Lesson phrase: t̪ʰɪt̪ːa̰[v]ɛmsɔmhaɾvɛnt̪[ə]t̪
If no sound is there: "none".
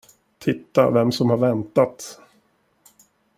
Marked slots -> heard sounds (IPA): v, a

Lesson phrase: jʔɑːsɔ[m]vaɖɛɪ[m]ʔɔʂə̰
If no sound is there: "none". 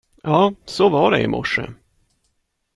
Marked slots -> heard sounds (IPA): none, m

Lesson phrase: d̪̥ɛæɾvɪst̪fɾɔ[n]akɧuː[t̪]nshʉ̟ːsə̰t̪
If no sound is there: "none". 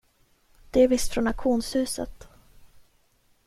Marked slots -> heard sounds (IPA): n, none

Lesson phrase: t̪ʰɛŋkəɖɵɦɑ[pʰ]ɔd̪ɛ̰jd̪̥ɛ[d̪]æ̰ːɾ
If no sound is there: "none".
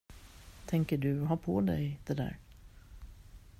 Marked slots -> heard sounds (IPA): pʰ, d̪

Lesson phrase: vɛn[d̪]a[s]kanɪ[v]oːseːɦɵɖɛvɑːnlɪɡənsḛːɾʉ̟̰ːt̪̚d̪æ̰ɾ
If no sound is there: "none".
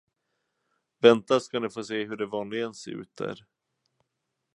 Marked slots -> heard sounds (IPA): t̪, s, f

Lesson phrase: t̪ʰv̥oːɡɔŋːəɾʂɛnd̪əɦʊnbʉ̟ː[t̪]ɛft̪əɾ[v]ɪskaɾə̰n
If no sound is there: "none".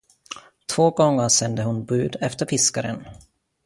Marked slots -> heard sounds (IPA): d̪, f

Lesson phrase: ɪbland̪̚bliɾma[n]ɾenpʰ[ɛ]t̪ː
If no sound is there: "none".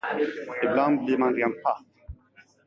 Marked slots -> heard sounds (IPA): n, a

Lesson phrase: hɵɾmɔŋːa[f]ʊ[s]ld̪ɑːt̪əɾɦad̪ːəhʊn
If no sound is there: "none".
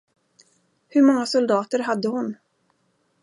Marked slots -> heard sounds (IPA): s, none

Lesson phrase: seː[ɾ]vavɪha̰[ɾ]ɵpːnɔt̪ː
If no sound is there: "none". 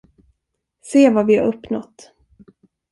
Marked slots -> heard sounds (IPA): none, ɾ

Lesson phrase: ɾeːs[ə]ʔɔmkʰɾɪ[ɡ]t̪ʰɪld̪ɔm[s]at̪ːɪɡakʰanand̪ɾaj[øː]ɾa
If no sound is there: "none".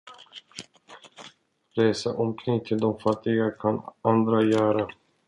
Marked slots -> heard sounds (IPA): a, ŋ, f, œː

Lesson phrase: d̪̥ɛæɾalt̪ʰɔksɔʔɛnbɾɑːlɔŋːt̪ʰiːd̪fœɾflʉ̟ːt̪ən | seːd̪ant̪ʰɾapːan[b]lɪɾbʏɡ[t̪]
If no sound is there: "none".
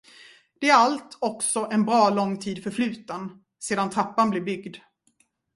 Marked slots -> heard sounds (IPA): b, d̪

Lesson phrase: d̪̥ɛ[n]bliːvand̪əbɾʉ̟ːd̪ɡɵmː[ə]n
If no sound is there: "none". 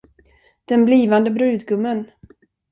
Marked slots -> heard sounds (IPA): n, ə

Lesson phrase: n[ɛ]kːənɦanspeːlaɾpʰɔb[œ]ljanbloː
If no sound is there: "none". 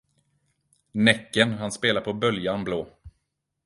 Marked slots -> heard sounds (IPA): ɛ, œ

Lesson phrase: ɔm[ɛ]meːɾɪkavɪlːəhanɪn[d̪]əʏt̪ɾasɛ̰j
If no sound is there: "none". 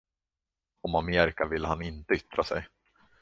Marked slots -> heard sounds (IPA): a, t̪

